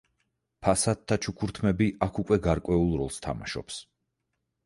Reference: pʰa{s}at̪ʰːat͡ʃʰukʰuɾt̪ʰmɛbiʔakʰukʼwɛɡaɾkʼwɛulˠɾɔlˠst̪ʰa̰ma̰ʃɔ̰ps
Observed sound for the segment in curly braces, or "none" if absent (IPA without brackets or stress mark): s